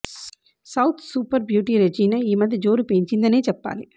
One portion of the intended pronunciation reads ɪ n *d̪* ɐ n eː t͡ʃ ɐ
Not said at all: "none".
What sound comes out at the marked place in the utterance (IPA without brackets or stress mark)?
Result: d̪